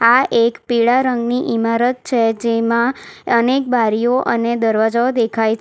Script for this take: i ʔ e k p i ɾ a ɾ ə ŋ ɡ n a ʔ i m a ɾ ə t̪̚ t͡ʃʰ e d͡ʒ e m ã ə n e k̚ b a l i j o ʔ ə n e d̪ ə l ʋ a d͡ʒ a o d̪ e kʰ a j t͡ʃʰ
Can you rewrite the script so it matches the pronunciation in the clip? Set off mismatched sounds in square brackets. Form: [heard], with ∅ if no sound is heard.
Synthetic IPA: [a] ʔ e k p i [ɭ] a ɾ ə ŋ ɡ n [i] ʔ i m a ɾ ə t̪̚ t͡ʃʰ e d͡ʒ e m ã ə n e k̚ b a [ɾ] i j o ʔ ə n e d̪ ə [ɾ] ʋ a d͡ʒ a o d̪ e kʰ a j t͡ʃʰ